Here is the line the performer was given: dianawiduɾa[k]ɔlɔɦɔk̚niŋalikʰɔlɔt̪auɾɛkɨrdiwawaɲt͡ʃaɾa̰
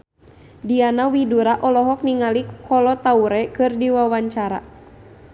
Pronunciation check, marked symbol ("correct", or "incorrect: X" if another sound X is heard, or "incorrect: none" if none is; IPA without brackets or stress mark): incorrect: ʔ